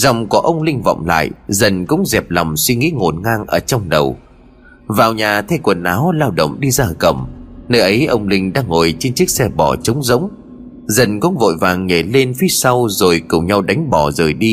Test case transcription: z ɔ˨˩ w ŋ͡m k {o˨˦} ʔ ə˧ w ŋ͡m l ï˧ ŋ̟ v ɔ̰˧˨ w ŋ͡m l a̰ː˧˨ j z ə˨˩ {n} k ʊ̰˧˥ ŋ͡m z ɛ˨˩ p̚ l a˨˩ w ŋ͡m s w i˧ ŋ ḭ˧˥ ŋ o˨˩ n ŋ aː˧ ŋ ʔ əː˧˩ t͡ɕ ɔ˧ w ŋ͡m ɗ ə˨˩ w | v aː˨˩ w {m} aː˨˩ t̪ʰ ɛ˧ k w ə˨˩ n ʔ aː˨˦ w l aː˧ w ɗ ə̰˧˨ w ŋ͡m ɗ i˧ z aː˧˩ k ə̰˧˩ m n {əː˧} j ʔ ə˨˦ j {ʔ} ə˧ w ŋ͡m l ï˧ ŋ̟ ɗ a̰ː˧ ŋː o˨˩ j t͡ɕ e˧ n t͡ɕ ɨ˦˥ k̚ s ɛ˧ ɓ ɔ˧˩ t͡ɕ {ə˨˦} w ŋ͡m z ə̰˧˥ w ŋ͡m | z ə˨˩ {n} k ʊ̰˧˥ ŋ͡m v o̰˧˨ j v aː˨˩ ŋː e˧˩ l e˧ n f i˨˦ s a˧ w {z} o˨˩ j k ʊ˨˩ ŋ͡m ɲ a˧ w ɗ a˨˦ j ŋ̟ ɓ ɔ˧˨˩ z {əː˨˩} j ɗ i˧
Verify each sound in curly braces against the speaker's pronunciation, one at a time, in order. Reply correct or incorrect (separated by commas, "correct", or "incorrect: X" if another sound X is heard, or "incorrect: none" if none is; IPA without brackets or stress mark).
incorrect: ɔ˨˦, correct, incorrect: ɲ, correct, correct, correct, correct, correct, correct